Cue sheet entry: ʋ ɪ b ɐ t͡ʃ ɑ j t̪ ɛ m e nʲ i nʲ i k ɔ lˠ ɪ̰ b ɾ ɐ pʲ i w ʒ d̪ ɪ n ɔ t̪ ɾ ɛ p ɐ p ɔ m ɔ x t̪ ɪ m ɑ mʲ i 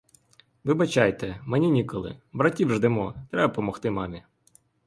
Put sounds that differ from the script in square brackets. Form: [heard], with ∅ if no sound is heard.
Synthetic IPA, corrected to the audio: ʋ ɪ b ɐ t͡ʃ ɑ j t̪ ɛ m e nʲ i nʲ i k ɔ lˠ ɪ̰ b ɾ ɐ [tʲ] i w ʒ d̪ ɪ [m] ɔ t̪ ɾ ɛ [b] ɐ p ɔ m ɔ x t̪ ɪ m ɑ mʲ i